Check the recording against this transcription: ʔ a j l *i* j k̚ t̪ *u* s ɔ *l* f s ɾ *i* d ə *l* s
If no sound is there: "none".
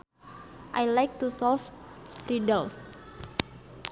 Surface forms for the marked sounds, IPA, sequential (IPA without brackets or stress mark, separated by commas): a, u, l, i, l